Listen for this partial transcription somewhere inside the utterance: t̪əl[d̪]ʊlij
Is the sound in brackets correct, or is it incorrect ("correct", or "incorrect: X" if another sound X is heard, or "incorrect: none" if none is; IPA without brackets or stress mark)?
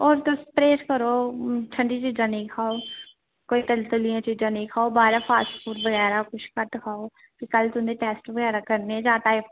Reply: incorrect: t̪